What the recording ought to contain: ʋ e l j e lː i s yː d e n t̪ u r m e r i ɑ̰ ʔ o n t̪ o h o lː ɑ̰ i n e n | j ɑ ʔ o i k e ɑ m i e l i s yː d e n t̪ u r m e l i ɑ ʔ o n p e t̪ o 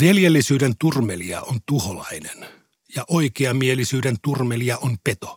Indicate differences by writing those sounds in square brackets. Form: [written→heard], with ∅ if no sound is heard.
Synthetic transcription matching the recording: ʋ e l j e lː i s yː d e n t̪ u r m e [r→l] i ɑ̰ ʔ o n t̪ [o→u] h o [lː→l] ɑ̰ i n e n | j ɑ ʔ o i k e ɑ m i e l i s yː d e n t̪ u r m e l i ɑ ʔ o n p e t̪ o